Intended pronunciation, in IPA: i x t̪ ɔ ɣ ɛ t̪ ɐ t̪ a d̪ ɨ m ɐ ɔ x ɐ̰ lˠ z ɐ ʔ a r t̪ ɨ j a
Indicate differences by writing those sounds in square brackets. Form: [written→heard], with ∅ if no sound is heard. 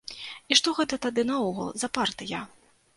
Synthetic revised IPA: i [x→ʂ] t̪ ɔ ɣ ɛ t̪ ɐ t̪ a d̪ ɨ [m→n] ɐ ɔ [x→ɣ] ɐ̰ lˠ z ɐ [ʔ→p] a r t̪ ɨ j a